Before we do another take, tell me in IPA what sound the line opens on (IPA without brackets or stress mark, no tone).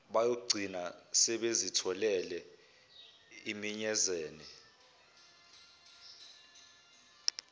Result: ɓ